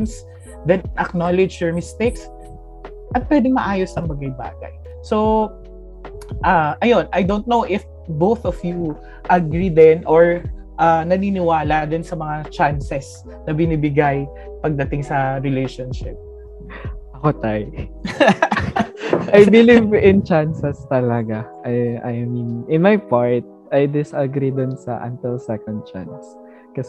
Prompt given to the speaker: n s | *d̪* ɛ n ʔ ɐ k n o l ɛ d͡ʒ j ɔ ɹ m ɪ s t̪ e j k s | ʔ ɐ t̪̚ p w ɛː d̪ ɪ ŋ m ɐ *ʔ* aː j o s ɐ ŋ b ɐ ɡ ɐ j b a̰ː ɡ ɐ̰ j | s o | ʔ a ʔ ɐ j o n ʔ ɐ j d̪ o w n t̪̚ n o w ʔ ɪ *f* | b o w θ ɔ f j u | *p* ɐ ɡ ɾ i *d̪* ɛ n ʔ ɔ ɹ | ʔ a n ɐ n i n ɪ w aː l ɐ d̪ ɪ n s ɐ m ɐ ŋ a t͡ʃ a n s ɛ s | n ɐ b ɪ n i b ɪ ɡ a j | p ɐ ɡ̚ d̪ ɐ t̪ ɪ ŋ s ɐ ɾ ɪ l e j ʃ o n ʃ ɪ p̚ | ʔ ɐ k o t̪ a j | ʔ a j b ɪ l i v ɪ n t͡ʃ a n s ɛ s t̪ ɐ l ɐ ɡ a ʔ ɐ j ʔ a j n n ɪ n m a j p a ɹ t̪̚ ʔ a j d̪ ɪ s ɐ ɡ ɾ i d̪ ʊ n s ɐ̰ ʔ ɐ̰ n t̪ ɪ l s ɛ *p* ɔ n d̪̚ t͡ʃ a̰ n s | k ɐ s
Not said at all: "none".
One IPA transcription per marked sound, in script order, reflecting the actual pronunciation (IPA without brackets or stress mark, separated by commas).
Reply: d̪, ʔ, f, ʔ, d̪, k